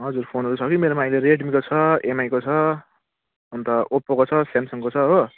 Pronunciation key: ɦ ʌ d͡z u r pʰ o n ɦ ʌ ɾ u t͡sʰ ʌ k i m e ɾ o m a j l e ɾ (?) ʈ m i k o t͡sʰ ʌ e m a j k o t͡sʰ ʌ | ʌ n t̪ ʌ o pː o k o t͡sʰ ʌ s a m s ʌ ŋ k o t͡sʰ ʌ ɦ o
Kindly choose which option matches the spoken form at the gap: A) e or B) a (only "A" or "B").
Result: A